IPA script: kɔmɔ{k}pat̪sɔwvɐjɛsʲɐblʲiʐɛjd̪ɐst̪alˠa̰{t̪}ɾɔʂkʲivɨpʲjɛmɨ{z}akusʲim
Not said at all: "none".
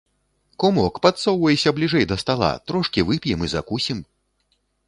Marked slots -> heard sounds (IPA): k, t̪, z

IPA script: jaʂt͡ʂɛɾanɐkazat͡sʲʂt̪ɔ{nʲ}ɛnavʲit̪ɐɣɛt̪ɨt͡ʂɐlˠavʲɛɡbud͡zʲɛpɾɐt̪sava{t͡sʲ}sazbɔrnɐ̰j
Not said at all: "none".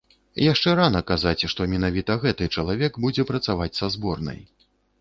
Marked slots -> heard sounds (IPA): mʲ, t͡sʲ

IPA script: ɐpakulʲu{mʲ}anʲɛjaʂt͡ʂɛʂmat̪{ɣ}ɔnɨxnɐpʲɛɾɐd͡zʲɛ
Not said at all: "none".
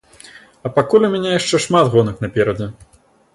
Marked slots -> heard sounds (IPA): mʲ, ɣ

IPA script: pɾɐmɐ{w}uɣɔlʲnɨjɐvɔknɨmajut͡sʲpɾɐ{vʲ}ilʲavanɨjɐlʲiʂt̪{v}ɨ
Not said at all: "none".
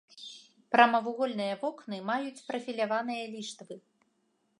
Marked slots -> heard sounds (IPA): v, fʲ, v

